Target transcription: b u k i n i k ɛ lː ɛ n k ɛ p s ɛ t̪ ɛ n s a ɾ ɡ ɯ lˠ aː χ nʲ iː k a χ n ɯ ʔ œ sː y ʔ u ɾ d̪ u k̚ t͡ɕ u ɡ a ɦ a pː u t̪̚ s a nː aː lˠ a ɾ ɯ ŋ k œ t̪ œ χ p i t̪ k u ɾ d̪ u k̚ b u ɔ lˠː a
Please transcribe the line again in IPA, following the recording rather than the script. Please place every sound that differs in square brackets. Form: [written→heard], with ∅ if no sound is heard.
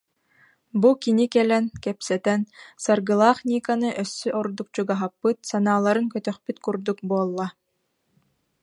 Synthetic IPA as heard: b u k i n i k ɛ [lː→l] ɛ n k ɛ p s ɛ t̪ ɛ n s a ɾ ɡ ɯ lˠ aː χ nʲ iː k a [χ→∅] n ɯ ʔ œ sː y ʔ [u→ɔ] ɾ d̪ u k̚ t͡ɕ u ɡ a ɦ a pː [u→ɯ] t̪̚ s a [nː→n] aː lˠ a ɾ ɯ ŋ k œ t̪ œ χ p [i→y] t̪ k u ɾ d̪ u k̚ b u ɔ lˠː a